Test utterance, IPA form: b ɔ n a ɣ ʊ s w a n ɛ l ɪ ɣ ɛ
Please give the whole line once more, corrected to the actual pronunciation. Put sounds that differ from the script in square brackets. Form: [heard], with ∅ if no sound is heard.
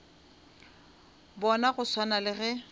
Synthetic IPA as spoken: b ɔ n a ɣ ʊ s w a n [a] l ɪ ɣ ɛ